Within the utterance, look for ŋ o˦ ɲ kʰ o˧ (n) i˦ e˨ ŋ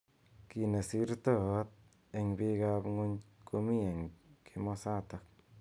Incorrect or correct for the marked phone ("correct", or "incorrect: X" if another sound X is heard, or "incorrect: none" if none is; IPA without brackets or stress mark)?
incorrect: m